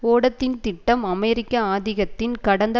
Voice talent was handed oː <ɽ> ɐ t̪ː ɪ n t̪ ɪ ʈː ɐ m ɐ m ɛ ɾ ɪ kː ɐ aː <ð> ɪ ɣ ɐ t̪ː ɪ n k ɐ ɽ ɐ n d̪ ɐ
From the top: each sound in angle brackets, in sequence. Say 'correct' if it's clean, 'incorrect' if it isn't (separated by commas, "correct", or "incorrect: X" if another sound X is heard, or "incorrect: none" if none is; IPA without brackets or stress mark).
correct, correct